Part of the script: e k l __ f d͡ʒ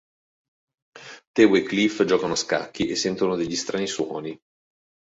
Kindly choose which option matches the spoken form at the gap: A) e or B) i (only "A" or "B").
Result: B